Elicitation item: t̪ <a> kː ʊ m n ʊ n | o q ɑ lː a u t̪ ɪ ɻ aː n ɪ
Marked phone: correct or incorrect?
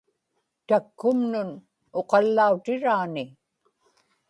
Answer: correct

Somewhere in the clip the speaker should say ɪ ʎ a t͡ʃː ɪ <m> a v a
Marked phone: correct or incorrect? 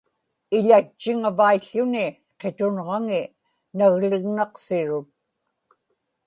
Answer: incorrect: ŋ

